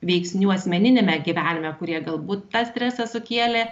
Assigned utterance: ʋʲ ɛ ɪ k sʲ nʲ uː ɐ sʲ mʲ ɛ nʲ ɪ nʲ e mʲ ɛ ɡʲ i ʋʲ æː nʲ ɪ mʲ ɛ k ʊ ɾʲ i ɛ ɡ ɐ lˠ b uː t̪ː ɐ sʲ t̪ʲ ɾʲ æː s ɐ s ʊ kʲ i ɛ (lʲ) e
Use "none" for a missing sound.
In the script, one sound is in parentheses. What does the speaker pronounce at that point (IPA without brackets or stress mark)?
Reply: lʲ